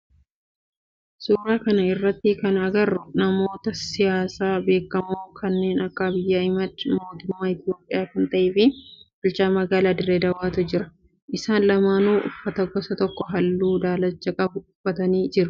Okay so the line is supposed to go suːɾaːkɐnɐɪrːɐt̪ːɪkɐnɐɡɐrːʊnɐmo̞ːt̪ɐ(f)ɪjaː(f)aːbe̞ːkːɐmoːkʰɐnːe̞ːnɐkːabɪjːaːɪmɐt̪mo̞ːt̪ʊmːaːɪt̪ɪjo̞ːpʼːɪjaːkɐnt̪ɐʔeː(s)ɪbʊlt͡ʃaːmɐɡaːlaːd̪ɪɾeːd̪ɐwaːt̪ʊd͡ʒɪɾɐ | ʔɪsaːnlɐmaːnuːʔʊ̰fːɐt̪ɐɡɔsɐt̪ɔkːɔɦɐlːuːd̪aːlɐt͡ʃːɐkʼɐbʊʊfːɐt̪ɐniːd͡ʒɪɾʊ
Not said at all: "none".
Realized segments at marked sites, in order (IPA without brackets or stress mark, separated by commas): s, s, f